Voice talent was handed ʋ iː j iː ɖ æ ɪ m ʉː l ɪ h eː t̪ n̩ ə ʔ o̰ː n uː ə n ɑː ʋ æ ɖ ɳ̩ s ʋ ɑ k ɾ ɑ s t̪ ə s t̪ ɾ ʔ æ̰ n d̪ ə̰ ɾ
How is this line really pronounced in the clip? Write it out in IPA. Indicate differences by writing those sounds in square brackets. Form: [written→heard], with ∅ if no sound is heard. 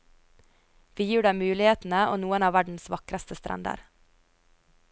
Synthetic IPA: ʋ iː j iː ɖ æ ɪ m ʉː l ɪ h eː t̪ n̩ ə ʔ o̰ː n uː ə n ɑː ʋ æ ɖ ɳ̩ s ʋ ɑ k ɾ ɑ s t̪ ə s t̪ ɾ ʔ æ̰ n d̪ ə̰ ɾ